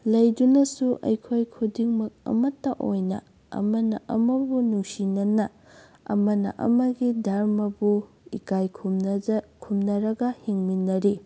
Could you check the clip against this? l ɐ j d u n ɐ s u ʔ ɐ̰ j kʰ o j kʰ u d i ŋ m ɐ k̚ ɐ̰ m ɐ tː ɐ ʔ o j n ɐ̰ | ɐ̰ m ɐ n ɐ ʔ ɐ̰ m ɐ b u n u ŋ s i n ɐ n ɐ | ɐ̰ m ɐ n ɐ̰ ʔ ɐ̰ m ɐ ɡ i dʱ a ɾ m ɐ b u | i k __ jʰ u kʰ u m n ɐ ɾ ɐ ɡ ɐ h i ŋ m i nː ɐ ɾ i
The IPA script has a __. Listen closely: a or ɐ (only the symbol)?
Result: a